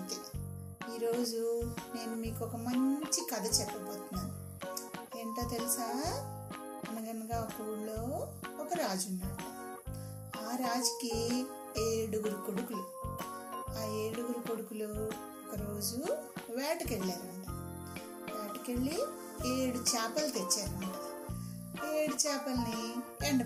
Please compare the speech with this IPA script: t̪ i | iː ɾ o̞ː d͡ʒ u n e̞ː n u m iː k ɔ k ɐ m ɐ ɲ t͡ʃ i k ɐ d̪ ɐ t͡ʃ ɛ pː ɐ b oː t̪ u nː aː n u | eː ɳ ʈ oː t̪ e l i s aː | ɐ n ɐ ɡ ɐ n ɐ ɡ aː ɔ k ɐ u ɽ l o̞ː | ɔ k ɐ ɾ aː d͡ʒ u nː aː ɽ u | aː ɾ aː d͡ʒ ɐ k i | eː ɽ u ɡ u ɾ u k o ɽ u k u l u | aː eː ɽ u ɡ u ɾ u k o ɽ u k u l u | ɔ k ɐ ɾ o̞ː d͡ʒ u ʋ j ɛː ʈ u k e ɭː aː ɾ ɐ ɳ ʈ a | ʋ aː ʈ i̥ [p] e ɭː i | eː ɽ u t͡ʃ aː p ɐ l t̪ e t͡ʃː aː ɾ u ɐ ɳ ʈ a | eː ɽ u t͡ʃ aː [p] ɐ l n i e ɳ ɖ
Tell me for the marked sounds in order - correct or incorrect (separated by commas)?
incorrect, correct